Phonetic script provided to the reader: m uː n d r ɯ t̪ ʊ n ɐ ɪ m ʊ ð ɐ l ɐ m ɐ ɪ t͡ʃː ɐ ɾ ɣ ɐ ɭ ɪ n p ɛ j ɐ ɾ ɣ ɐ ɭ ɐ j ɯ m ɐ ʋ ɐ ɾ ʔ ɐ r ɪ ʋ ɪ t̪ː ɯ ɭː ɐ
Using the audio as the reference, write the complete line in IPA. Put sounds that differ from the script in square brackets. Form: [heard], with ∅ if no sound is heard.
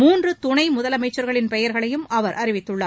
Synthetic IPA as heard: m uː n d r ɯ t̪ ʊ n ɐ ɪ m ʊ ð ɐ l ɐ m ɐ ɪ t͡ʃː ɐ ɾ ɣ ɐ ɭ ɪ n p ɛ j ɐ ɾ ɣ ɐ ɭ ɐ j ɯ m ɐ ʋ ɐ ɾ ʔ ɐ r ɪ ʋ ɪ t̪ː ɯ ɭː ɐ